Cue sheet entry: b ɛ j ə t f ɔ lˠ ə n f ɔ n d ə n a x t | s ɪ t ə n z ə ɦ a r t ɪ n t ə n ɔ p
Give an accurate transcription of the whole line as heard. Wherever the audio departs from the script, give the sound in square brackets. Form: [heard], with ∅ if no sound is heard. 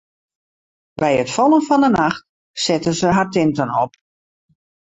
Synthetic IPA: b ɛ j ə t f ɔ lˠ ə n f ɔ n d ə n a x t | s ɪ t ə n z ə ɦ a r t ɪ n t ə n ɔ p